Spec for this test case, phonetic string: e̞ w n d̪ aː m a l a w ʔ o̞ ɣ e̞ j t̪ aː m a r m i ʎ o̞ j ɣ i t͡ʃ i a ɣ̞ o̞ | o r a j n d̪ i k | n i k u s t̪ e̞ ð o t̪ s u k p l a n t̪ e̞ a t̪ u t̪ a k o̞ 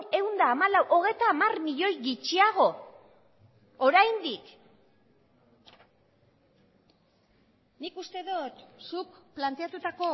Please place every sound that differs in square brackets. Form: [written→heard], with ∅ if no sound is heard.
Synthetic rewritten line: e̞ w n d̪ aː m a l a w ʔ o̞ ɣ e̞ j t̪ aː m a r m i ʎ o̞ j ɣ i t͡ʃ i a ɣ̞ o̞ | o [r→ɾ] a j n d̪ i k | n i k u s t̪ e̞ ð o t̪ s u k p l a n t̪ e̞ a t̪ u t̪ a k o̞